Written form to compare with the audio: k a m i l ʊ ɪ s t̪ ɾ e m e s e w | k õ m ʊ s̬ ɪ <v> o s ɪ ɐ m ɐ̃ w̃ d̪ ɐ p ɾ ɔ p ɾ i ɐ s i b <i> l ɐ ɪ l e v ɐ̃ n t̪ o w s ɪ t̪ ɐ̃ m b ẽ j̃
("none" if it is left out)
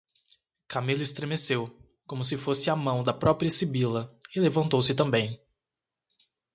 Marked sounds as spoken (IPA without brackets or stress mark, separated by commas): f, i